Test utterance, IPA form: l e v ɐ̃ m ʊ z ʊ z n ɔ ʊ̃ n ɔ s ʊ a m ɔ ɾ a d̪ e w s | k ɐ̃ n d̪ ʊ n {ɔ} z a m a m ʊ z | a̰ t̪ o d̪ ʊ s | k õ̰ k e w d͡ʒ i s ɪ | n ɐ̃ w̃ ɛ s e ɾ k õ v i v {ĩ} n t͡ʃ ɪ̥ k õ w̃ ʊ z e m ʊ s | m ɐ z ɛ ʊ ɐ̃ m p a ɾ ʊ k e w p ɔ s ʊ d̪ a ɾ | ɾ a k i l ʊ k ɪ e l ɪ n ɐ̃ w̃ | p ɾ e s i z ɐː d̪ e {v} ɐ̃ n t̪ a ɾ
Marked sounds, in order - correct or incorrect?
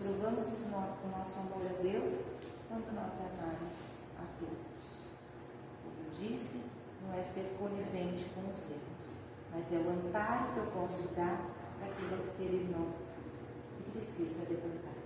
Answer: correct, incorrect: ẽ, correct

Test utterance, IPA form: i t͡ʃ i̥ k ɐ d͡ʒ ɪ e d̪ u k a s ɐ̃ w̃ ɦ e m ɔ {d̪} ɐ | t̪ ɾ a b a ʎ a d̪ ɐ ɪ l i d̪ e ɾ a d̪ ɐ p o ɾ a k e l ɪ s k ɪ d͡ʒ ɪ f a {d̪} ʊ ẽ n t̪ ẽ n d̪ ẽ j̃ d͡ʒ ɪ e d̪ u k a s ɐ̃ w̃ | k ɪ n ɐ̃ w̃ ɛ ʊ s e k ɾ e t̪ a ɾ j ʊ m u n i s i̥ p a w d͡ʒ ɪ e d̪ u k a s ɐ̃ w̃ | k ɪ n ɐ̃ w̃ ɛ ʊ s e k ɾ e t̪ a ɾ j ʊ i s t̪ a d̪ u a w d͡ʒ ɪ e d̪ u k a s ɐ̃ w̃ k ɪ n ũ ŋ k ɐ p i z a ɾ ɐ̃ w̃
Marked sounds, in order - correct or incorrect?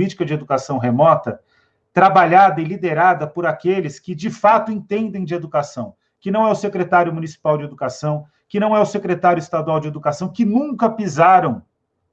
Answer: incorrect: t̪, incorrect: t̪

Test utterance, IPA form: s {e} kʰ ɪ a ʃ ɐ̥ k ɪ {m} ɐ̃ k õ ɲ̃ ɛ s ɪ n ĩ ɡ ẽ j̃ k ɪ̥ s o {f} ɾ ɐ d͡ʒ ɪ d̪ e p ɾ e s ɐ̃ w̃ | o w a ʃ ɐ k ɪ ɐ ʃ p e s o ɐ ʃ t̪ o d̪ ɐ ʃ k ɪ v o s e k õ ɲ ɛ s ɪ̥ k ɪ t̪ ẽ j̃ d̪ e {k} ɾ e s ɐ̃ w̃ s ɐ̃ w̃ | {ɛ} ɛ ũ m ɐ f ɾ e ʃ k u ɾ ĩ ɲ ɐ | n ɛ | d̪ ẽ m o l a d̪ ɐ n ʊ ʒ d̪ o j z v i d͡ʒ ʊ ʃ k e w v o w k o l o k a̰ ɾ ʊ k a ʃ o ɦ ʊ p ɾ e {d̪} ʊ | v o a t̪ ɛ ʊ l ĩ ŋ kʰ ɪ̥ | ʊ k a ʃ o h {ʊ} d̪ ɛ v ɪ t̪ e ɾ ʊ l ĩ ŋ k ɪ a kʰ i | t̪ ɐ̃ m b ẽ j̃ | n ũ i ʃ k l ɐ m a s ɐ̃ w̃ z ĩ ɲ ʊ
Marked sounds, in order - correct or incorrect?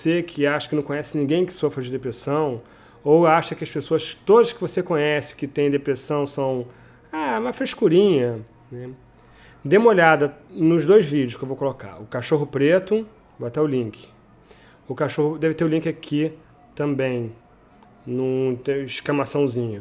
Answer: correct, incorrect: n, correct, incorrect: p, incorrect: a, incorrect: t̪, correct

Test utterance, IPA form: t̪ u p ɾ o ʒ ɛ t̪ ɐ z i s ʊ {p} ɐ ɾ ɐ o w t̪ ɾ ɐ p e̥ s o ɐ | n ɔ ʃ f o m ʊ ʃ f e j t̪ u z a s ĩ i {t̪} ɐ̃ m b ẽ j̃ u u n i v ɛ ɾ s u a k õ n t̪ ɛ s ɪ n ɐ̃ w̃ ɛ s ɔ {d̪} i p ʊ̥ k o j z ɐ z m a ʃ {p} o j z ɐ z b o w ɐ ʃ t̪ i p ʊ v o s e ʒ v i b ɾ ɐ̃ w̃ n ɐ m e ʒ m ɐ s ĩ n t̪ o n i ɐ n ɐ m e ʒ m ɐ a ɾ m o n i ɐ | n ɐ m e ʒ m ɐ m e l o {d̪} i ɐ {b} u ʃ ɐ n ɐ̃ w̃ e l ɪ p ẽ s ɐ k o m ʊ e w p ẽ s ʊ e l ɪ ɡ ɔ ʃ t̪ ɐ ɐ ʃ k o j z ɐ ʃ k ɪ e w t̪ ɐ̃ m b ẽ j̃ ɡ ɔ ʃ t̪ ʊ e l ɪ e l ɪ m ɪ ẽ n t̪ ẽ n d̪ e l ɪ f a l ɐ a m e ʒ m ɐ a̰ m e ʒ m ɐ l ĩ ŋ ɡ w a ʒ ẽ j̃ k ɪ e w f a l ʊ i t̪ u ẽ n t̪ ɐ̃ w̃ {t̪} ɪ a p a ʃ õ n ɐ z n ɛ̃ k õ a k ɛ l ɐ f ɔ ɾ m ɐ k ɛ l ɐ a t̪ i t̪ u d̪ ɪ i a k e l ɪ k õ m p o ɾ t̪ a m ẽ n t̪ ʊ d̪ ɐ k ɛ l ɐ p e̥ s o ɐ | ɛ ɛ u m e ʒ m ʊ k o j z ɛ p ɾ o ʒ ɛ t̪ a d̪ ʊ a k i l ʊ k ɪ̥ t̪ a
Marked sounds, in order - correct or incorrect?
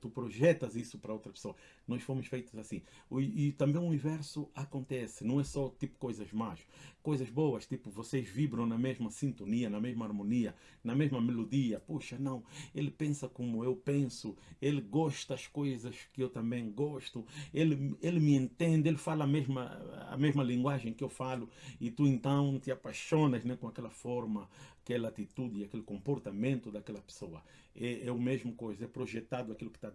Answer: correct, correct, incorrect: t̪, incorrect: k, correct, incorrect: p, correct

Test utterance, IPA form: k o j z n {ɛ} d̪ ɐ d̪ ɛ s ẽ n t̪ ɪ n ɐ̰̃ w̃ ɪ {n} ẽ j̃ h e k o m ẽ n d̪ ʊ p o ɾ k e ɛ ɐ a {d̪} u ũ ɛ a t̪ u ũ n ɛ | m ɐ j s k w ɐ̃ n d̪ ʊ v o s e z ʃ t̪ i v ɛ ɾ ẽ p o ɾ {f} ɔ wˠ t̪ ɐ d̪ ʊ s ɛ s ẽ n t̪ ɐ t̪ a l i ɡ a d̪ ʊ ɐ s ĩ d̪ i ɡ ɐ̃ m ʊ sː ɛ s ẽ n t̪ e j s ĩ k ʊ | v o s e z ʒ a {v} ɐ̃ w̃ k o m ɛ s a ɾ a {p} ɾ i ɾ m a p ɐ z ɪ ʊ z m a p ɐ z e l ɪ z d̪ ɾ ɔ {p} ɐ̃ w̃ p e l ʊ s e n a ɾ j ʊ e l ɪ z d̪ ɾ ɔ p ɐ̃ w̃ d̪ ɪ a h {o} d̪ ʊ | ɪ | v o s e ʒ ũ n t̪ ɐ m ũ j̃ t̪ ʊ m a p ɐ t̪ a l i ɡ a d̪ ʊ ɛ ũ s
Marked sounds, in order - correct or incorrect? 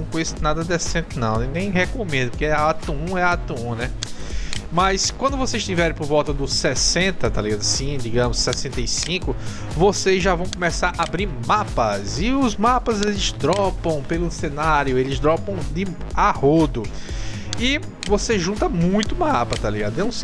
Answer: incorrect: a, correct, incorrect: t̪, incorrect: v, correct, incorrect: b, correct, correct

